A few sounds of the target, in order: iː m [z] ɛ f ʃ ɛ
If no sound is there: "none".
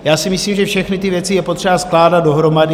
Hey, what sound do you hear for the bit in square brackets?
ʒ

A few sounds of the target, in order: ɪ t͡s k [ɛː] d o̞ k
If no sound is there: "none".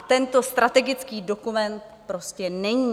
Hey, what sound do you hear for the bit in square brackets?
iː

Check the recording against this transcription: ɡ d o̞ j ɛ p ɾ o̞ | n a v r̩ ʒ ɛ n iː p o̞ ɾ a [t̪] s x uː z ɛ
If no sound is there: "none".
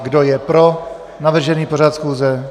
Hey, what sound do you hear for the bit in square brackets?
t̪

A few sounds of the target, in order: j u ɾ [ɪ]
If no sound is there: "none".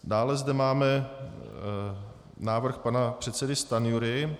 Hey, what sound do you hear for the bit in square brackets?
ɪ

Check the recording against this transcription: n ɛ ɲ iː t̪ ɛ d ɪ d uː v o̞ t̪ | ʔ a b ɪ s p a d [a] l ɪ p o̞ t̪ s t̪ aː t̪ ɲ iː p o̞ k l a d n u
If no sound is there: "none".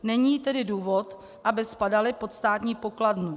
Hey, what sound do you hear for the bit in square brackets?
a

